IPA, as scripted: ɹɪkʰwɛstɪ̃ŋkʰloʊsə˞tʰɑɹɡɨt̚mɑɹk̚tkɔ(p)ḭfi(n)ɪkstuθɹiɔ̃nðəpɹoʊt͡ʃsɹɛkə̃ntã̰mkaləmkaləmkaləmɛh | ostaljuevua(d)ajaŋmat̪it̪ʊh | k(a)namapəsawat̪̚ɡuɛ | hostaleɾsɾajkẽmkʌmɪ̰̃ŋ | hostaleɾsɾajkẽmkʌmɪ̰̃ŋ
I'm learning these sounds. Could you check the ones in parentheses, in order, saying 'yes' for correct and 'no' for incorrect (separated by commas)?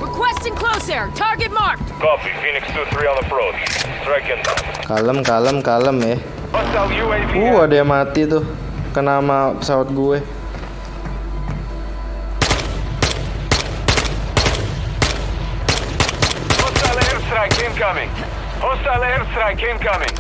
yes, yes, yes, no